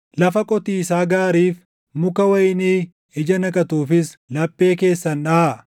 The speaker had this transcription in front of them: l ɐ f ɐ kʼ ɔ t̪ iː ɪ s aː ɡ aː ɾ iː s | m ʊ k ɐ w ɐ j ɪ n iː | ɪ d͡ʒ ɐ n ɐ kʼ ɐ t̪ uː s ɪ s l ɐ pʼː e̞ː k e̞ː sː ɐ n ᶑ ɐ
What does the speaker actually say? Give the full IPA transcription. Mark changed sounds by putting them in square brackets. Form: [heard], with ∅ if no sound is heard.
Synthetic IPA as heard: l ɐ f ɐ kʼ ɔ t̪ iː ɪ s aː ɡ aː ɾ iː [f] | m ʊ k ɐ w ɐ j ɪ n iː | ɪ d͡ʒ ɐ n ɐ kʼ ɐ t̪ uː [f] ɪ s l ɐ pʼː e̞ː k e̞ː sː ɐ n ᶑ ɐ